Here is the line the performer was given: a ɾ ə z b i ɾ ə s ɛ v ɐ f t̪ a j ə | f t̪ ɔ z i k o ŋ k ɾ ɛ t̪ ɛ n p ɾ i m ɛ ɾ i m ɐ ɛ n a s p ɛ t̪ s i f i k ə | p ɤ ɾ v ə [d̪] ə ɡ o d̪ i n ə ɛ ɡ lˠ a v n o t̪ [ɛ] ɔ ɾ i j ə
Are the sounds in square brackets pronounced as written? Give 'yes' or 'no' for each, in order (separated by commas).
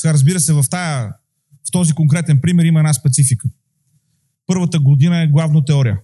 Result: no, yes